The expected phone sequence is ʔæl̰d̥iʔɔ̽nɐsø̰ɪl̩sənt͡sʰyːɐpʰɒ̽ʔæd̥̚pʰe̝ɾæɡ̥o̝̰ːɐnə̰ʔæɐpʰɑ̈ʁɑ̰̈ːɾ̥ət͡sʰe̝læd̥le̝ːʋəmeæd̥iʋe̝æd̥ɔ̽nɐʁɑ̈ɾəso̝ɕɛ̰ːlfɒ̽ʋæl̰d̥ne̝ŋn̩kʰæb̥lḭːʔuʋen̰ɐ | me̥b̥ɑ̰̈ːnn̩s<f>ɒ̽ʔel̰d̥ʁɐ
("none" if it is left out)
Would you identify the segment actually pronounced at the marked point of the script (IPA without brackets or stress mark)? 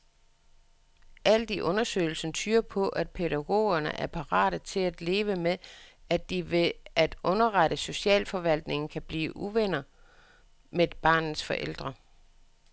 f